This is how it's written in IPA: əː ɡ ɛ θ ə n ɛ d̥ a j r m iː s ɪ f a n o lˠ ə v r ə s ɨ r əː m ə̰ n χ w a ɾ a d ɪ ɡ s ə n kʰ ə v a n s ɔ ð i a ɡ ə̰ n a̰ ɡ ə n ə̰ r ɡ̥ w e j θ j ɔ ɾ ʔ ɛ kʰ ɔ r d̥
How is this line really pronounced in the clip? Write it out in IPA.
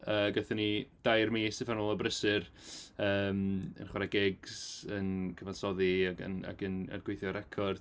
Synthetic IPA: əː ɡ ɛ θ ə n i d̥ a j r m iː s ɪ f a n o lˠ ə b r ə s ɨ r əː m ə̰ n χ w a ɾ a ɡ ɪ ɡ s ə n kʰ ə v a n s ɔ ð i a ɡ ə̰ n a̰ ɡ ə n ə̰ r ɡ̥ w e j θ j ɔ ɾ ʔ ɛ kʰ ɔ r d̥